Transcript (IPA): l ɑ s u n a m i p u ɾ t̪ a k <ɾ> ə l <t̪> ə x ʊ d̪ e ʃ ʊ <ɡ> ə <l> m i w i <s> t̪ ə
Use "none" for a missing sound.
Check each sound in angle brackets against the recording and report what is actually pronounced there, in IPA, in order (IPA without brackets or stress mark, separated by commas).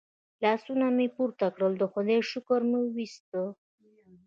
ɽ, d̪, k, ɾ, s